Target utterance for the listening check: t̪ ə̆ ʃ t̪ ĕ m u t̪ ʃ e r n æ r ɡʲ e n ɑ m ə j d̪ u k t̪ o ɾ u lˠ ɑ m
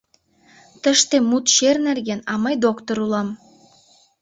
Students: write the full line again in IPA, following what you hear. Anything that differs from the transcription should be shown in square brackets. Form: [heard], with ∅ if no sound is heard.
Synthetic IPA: t̪ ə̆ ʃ t̪ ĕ m u t̪ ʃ e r n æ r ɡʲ e n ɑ m [ɑ] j d̪ [o] k t̪ o ɾ u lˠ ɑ m